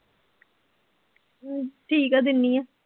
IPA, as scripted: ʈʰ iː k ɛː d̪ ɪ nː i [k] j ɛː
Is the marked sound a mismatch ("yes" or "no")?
yes